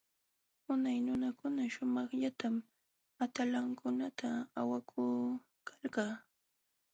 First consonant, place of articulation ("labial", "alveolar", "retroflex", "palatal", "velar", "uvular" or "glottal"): alveolar